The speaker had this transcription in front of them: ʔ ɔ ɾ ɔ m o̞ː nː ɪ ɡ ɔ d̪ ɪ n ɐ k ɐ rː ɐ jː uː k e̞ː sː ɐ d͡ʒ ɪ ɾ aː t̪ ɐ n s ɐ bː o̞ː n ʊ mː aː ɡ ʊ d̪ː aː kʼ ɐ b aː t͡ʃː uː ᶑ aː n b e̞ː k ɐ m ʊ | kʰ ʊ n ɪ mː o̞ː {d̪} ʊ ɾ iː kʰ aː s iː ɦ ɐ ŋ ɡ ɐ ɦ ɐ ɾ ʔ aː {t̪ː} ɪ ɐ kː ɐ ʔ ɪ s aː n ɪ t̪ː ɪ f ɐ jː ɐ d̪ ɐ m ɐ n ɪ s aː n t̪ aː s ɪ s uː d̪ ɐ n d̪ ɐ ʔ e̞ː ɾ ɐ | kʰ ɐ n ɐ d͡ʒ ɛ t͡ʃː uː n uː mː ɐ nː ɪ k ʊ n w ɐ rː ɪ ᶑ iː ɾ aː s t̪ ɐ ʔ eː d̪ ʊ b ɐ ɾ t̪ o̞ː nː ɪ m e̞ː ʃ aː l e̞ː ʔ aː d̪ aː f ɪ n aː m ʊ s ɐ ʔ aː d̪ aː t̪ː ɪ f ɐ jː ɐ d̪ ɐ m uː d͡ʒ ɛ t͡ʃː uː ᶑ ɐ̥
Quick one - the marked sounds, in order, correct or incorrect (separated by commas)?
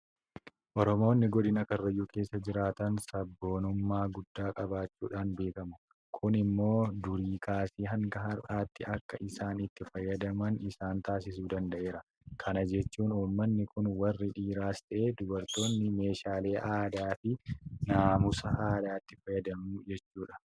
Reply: correct, correct